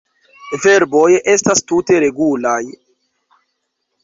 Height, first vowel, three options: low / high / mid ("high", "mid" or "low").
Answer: mid